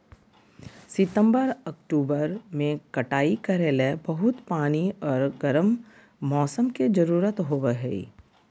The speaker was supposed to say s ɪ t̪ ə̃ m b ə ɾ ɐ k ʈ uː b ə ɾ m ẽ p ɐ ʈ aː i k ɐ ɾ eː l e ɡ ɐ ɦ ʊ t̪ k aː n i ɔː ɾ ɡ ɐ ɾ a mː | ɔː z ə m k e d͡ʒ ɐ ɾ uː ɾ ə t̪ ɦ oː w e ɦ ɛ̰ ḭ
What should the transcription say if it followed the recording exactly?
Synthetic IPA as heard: s ɪ t̪ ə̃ m b ə ɾ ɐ k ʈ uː b ə ɾ m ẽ k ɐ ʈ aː i k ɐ ɾ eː l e b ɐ ɦ ʊ t̪ p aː n i ɔː ɾ ɡ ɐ ɾ ə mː | ɔː s ə m k e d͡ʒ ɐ ɾ uː ɾ ə t̪ ɦ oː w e ɦ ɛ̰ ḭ